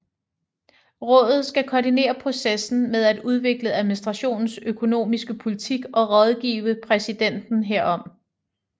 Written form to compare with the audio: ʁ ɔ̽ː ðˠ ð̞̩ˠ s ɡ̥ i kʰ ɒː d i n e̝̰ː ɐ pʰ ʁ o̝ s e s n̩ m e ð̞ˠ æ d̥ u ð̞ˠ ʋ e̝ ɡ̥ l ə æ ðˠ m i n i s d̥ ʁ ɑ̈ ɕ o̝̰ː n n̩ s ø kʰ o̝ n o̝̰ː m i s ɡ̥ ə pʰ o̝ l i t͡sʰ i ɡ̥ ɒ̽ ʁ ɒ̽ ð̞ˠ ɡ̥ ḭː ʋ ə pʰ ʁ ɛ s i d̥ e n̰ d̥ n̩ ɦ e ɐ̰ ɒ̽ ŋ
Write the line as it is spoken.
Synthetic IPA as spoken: ʁ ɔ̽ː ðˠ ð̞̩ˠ s ɡ̥ æ kʰ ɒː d i n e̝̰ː ɐ pʰ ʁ o̝ s e s n̩ m e ð̞ˠ æ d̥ u ð̞ˠ ʋ e̝ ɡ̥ l ə æ ðˠ m i n i s d̥ ʁ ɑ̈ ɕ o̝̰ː n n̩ s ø kʰ o̝ n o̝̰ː m i s ɡ̥ ə pʰ o̝ l i t͡sʰ i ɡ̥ ɒ̽ ʁ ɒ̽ ð̞ˠ ɡ̥ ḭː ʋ ə pʰ ʁ ɛ s i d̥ e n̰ d̥ n̩ ɦ e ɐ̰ ɒ̽ m